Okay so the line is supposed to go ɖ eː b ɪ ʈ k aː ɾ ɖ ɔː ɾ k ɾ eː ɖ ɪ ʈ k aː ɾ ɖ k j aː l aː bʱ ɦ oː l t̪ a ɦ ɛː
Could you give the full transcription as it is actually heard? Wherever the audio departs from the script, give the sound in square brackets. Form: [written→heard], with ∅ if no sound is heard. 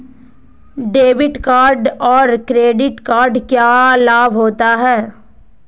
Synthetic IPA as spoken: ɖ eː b ɪ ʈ k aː ɾ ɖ ɔː ɾ k ɾ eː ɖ ɪ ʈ k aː ɾ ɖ k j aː l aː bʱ ɦ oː [l→∅] t̪ a ɦ ɛː